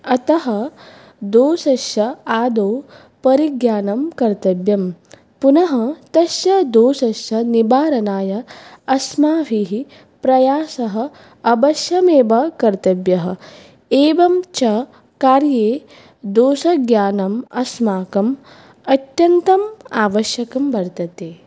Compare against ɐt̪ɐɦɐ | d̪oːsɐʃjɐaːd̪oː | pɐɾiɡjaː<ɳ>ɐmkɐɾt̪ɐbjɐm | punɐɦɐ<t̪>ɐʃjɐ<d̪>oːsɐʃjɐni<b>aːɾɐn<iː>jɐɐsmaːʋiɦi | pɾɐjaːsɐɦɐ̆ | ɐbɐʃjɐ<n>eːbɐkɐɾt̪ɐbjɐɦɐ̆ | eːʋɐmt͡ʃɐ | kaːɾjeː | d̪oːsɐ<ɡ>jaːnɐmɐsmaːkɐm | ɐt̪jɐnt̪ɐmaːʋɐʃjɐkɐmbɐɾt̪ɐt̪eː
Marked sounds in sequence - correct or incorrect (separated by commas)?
incorrect, correct, correct, correct, incorrect, incorrect, correct